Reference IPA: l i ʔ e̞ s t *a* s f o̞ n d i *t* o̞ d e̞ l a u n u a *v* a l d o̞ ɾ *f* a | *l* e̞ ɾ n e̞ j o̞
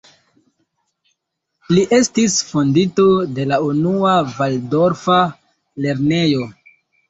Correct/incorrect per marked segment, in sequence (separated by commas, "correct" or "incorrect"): incorrect, correct, correct, correct, correct